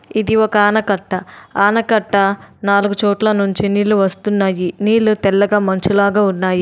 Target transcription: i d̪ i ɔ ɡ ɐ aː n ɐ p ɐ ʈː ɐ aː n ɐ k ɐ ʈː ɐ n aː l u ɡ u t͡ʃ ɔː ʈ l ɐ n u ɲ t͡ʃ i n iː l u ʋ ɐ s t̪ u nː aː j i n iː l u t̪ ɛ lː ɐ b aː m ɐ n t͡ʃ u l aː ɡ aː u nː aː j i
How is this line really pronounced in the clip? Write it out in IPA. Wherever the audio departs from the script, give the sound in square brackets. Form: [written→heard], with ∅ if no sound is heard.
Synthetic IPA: i d̪ i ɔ [ɡ→k] ɐ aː n ɐ [p→k] ɐ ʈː ɐ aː n ɐ k ɐ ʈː ɐ n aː l u ɡ u t͡ʃ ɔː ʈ l ɐ n u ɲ t͡ʃ i n iː l u ʋ ɐ s t̪ u nː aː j i n iː l u t̪ ɛ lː ɐ [b→ɡ] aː m ɐ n t͡ʃ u l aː ɡ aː u nː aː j i